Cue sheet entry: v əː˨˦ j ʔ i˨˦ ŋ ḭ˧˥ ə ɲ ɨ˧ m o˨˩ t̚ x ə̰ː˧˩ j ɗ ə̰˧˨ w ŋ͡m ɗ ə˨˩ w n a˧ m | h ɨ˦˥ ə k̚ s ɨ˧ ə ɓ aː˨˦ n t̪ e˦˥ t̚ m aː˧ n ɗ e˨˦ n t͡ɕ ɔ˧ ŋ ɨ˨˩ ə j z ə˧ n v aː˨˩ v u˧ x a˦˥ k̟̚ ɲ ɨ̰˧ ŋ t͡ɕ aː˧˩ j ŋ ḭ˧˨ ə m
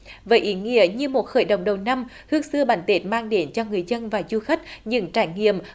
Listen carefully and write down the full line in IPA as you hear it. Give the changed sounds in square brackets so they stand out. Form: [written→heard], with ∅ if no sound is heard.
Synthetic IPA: v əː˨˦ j ʔ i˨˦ ŋ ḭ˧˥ ə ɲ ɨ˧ m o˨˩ t̚ x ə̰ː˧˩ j ɗ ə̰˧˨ w ŋ͡m ɗ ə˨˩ w n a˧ m | h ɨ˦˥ ə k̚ s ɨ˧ ə ɓ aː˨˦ n t̪ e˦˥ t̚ m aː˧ [n→ŋ] ɗ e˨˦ n t͡ɕ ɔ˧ ŋ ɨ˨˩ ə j z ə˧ n v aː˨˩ [v→z] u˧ x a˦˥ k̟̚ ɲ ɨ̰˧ ŋ t͡ɕ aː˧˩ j ŋ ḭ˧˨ ə m